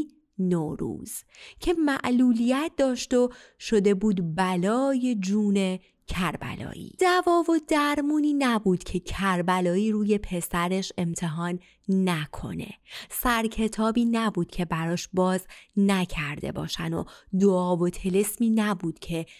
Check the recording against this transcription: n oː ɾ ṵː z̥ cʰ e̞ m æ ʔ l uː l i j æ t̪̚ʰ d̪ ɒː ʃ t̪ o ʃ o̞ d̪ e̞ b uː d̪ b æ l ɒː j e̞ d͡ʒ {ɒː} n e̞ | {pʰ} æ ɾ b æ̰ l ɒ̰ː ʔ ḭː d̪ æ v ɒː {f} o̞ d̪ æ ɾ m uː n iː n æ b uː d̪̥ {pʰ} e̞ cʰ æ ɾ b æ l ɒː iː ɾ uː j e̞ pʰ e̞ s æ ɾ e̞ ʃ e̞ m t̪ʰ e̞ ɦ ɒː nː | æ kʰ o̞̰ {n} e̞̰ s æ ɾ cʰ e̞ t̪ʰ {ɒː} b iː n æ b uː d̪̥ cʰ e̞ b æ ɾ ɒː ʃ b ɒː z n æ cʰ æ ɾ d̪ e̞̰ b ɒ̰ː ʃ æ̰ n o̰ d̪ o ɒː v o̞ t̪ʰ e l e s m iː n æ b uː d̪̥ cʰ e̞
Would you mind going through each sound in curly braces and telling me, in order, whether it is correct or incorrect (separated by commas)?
incorrect, incorrect, incorrect, incorrect, correct, correct